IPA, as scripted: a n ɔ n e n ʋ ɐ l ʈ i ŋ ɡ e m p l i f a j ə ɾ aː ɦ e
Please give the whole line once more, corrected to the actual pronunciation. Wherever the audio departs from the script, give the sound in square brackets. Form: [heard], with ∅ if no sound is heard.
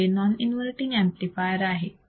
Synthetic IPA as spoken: [e] n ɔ n [i] n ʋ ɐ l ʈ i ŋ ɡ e m p l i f a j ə ɾ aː ɦ e